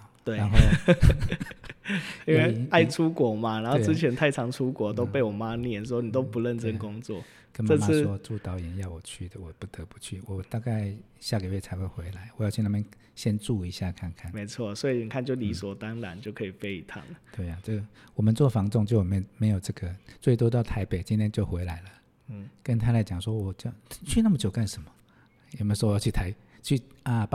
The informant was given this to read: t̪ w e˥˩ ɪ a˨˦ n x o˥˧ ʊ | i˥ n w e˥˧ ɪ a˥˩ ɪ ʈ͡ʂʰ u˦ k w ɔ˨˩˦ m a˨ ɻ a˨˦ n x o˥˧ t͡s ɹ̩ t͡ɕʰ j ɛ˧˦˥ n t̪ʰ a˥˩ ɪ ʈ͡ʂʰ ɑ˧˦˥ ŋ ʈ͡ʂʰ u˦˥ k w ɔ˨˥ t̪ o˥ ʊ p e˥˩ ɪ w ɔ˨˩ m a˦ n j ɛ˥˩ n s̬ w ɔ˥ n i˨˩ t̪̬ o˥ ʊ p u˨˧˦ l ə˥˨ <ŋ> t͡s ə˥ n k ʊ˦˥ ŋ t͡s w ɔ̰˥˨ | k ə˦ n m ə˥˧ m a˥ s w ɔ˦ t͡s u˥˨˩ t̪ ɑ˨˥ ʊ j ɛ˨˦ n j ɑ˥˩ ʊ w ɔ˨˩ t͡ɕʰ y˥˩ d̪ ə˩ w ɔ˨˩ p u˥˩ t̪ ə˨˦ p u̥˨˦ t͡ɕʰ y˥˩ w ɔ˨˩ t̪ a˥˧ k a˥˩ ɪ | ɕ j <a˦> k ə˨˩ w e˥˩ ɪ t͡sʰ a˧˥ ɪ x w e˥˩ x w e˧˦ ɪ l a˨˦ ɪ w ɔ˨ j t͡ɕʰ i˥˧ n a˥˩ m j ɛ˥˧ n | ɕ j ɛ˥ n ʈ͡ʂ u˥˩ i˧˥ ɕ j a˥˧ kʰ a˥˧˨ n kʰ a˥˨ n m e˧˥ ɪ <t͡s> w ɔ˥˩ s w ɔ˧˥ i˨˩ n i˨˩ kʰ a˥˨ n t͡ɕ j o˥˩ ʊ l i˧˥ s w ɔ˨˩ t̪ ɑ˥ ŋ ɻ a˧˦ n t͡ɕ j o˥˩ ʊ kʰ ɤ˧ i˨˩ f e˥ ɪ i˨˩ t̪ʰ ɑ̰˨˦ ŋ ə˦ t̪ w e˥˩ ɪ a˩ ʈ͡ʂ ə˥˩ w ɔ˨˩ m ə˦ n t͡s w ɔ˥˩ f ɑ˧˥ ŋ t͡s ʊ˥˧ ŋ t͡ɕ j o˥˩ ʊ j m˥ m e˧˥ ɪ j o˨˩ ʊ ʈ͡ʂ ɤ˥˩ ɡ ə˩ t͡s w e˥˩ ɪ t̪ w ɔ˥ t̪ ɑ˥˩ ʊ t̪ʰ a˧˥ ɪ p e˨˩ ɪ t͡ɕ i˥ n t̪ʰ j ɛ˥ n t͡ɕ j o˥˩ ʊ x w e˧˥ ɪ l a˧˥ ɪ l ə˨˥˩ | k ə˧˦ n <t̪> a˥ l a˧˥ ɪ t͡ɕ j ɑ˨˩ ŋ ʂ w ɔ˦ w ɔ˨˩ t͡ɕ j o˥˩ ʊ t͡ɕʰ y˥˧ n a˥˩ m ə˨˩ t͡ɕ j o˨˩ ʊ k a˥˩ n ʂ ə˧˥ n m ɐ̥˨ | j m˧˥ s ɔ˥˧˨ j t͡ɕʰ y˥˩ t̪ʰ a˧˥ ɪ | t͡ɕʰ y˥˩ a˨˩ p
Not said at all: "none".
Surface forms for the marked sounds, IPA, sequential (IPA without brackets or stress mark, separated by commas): n, a˥˩, t͡sʰ, t̪ʰ